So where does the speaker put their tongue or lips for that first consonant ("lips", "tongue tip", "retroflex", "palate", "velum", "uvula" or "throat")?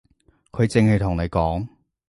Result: velum